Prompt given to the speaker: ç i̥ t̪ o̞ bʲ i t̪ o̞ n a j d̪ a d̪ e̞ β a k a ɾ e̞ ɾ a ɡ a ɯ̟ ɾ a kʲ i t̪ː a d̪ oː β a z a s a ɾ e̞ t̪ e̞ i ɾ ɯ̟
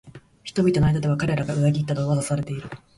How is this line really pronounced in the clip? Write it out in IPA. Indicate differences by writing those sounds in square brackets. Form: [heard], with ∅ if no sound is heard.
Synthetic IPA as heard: ç i̥ t̪ o̞ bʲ i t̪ o̞ n a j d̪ a d̪ e̞ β a k a ɾ e̞ ɾ a ɡ a ɯ̟ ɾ a [ɡʲ] i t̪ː a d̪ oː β a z a s a ɾ e̞ t̪ e̞ i ɾ ɯ̟